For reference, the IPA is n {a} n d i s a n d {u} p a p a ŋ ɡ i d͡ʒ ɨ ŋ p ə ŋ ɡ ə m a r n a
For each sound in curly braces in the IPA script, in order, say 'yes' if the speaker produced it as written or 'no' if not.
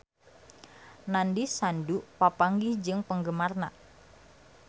yes, yes

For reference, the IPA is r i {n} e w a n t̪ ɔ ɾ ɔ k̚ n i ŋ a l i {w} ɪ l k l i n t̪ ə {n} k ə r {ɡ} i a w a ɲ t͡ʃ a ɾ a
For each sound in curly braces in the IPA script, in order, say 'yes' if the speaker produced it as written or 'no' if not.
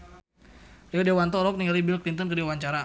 no, no, yes, no

